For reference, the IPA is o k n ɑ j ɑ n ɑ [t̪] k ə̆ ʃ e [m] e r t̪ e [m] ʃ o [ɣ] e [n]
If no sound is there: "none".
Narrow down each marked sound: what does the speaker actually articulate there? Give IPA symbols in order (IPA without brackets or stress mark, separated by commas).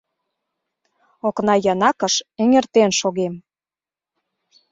none, ŋ, n, ɣ, m